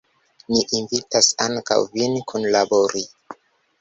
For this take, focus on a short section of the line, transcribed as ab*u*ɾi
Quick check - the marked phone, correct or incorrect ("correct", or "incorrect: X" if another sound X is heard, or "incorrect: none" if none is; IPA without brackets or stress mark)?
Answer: incorrect: o